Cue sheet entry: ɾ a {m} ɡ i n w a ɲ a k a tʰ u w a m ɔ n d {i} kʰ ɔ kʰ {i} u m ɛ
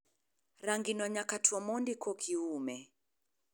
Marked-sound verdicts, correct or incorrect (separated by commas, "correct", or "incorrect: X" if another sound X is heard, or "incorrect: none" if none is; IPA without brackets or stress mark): incorrect: ŋ, correct, correct